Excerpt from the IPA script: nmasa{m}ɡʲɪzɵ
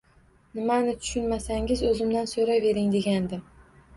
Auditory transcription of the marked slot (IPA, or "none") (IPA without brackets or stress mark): ŋ